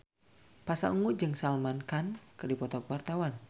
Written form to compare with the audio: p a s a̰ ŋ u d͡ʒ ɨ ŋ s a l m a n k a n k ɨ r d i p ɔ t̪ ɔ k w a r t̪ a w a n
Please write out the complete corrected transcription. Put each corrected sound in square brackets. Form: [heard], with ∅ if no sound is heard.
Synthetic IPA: p a s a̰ ŋ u d͡ʒ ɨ ŋ s a l m a n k a n k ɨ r d i p ɔ t̪ ɔ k w a r t̪ a w a n